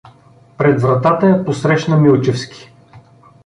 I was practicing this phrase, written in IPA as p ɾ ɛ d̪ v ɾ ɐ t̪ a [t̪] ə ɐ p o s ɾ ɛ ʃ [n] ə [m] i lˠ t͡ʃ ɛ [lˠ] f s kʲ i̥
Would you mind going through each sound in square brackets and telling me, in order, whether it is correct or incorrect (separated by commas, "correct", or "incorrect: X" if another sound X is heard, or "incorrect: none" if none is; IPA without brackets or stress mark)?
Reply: correct, correct, correct, incorrect: none